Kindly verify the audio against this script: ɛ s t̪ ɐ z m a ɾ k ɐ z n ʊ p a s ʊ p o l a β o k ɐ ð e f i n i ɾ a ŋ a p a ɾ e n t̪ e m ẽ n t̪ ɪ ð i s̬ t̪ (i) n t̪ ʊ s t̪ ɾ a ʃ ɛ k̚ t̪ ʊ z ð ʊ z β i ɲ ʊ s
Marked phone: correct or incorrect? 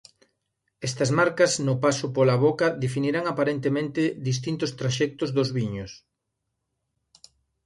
correct